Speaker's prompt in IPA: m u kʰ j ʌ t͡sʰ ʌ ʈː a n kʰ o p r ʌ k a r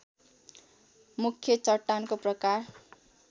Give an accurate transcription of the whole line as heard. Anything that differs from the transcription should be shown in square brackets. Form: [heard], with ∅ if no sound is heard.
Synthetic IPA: m u kʰ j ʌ [t͡s] ʌ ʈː a n [k] o p r ʌ k a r